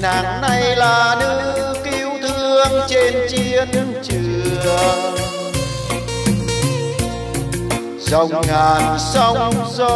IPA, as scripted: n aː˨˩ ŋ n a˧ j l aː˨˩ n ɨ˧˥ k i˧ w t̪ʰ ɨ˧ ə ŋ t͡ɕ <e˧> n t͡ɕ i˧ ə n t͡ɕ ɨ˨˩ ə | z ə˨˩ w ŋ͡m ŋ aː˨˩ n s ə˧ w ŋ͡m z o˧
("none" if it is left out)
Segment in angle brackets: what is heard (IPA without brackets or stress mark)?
e˧